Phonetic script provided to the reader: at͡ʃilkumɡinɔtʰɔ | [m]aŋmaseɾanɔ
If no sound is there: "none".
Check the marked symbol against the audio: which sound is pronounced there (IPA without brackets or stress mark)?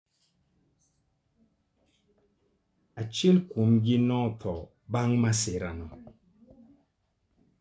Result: b